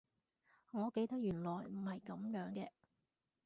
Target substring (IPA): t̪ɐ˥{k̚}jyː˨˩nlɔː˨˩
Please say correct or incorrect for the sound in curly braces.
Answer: correct